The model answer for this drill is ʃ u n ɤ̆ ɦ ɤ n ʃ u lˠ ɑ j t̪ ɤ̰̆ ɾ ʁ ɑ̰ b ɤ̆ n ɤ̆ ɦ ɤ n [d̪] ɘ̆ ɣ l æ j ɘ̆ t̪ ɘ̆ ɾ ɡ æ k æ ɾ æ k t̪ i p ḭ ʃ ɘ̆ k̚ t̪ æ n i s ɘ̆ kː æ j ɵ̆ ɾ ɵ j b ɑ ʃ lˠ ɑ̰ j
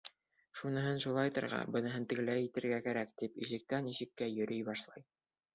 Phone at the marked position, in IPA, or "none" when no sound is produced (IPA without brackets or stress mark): t̪